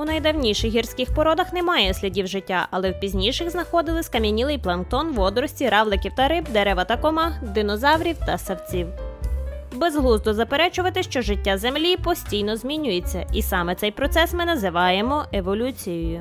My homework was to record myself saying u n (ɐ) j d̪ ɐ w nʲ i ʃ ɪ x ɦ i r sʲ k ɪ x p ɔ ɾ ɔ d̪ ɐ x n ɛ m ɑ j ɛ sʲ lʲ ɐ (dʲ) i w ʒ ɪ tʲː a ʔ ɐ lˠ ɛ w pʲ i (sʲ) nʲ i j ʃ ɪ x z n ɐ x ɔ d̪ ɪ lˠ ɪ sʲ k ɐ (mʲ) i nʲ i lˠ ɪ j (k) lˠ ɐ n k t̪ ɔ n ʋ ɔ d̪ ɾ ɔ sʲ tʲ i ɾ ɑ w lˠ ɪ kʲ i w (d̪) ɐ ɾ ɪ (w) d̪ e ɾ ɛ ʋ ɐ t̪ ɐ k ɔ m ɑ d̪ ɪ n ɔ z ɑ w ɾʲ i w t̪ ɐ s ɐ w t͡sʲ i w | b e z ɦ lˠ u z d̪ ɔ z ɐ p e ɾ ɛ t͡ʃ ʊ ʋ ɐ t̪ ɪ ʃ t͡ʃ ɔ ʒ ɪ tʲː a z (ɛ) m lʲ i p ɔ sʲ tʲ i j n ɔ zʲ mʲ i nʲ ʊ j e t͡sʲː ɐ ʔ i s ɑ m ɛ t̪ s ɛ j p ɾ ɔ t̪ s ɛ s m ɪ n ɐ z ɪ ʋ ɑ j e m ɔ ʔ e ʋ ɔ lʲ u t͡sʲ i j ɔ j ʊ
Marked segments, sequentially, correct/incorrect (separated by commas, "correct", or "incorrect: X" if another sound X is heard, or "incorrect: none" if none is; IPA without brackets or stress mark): correct, correct, incorrect: zʲ, correct, incorrect: p, incorrect: t̪, incorrect: b, incorrect: e